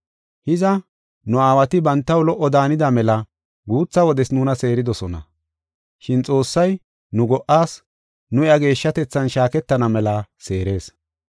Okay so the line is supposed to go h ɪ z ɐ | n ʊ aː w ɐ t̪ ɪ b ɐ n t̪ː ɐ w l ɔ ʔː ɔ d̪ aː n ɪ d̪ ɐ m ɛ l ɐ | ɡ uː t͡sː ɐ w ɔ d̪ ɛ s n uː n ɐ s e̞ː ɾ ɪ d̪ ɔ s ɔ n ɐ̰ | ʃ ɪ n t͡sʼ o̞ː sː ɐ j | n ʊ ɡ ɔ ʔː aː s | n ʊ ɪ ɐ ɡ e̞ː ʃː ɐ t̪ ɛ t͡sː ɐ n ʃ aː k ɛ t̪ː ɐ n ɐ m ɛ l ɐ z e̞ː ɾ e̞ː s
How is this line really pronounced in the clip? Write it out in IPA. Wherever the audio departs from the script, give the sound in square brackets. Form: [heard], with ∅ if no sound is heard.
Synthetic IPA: h ɪ z ɐ | n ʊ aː w ɐ t̪ ɪ b ɐ n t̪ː ɐ w l ɔ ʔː ɔ d̪ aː n ɪ d̪ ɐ m ɛ l ɐ | ɡ uː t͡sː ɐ w ɔ d̪ ɛ s n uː n ɐ s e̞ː ɾ ɪ d̪ ɔ s ɔ n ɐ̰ | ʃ ɪ n t͡sʼ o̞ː sː ɐ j | n ʊ ɡ ɔ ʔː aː s | n ʊ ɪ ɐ ɡ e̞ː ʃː ɐ t̪ ɛ t͡sː ɐ n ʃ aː k ɛ t̪ː ɐ n ɐ m ɛ l ɐ [s] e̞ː ɾ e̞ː s